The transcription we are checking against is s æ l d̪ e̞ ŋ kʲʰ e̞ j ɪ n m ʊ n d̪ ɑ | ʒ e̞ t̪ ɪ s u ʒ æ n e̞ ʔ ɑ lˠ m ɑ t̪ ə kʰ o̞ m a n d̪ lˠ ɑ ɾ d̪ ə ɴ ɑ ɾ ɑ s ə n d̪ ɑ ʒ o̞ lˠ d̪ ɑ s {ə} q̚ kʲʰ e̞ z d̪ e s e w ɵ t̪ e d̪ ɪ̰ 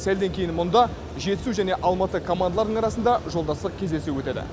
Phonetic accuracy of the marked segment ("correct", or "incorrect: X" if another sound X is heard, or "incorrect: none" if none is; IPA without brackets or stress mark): correct